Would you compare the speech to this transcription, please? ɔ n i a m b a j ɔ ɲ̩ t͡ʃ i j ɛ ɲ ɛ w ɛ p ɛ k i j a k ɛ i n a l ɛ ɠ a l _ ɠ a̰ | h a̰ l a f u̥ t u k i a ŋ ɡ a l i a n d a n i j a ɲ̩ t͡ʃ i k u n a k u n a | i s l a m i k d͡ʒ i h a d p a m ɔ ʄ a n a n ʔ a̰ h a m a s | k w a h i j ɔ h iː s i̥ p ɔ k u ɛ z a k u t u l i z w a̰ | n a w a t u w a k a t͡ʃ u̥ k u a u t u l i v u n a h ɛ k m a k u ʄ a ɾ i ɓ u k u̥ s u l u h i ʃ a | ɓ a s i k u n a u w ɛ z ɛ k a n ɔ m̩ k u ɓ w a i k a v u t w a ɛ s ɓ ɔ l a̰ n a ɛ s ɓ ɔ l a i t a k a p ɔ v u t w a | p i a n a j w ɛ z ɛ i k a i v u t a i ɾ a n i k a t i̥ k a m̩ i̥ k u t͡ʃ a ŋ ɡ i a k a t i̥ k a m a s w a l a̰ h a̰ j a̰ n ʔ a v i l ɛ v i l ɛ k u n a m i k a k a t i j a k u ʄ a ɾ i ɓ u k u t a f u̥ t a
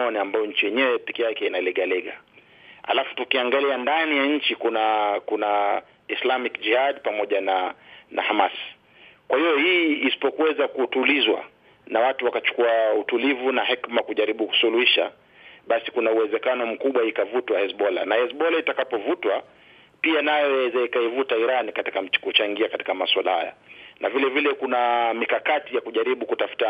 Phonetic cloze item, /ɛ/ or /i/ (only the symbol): ɛ